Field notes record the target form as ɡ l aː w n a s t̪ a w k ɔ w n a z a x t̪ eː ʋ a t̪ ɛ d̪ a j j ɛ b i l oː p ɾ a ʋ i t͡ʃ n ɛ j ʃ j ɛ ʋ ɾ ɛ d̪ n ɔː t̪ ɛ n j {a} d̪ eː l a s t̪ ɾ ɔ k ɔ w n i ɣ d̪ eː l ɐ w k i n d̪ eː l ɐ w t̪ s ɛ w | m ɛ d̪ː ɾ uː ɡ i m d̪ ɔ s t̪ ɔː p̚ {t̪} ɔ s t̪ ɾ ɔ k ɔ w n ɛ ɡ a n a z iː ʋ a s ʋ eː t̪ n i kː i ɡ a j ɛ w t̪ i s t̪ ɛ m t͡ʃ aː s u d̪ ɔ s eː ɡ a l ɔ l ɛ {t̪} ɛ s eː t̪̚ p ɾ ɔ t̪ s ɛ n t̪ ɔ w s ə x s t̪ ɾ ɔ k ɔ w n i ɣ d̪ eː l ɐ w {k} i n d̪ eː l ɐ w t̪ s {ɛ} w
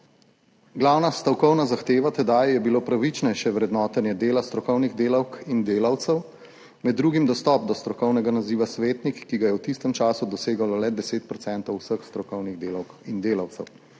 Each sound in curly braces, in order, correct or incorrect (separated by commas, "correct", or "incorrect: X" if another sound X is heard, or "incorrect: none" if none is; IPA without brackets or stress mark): incorrect: ɛ, incorrect: d̪, incorrect: d̪, correct, correct